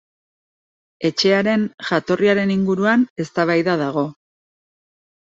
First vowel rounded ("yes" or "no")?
no